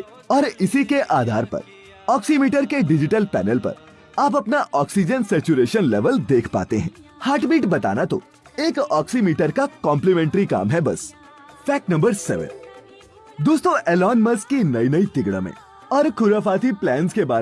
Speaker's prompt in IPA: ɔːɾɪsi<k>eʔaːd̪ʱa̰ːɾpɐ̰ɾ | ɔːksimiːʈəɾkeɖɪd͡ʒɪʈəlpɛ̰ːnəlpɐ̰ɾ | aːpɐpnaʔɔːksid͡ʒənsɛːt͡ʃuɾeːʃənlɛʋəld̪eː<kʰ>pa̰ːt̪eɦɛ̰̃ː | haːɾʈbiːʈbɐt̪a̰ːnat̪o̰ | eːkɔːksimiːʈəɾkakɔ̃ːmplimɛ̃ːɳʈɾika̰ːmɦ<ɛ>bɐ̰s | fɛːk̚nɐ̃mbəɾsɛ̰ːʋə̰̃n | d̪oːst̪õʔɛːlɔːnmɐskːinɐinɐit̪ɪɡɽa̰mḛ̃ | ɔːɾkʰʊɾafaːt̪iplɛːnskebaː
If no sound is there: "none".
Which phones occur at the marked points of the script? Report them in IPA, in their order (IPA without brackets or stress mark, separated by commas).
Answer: k, kʰ, ɛ